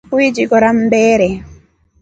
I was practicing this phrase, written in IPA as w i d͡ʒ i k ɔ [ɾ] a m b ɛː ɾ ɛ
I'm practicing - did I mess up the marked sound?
no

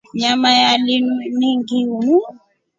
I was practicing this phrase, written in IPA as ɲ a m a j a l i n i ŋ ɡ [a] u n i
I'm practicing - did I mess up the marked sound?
yes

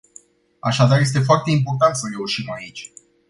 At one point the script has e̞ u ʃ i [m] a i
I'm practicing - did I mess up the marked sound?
no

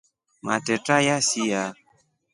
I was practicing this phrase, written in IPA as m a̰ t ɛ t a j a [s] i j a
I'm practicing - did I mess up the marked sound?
no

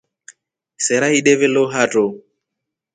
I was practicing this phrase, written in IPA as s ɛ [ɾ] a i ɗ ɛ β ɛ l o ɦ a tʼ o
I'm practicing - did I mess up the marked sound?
no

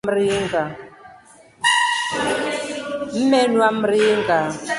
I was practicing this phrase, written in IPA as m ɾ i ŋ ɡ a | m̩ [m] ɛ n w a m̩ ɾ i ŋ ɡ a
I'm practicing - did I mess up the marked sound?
no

